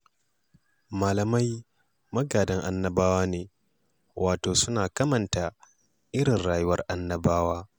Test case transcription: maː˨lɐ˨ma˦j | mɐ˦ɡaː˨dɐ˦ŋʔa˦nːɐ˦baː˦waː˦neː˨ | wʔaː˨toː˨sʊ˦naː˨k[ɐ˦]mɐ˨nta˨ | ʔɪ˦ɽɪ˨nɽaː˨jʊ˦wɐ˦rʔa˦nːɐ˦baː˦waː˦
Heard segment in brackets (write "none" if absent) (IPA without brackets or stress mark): ɐ˦